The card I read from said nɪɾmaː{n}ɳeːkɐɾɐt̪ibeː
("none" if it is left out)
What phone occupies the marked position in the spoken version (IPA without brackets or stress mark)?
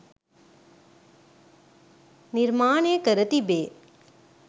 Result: none